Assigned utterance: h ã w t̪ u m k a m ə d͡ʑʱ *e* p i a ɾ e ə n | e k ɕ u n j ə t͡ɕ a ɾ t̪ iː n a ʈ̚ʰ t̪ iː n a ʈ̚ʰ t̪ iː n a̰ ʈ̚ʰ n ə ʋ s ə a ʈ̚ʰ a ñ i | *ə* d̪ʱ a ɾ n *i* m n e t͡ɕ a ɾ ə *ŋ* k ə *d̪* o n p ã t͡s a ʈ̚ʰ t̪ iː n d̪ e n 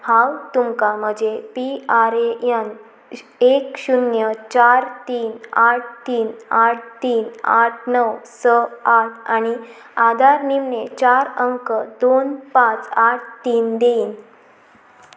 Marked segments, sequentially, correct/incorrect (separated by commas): correct, incorrect, correct, correct, correct